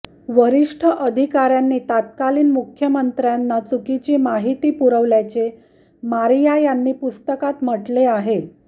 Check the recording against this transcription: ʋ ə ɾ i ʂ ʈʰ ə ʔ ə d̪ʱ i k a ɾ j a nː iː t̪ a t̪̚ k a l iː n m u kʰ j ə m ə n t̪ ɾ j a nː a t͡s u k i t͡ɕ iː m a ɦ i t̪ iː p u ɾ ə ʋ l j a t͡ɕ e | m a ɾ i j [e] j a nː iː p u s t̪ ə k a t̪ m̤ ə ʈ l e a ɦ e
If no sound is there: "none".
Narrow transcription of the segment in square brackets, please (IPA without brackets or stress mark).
a